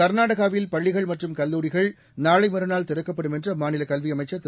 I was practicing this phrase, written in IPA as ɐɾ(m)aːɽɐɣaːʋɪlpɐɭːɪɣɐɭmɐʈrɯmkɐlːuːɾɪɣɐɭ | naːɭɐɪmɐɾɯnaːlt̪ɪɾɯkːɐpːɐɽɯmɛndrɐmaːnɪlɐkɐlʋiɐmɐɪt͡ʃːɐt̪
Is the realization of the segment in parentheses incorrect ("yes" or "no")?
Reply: yes